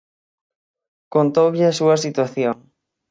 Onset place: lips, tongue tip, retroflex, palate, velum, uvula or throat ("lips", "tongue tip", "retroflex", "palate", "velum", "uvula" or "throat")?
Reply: velum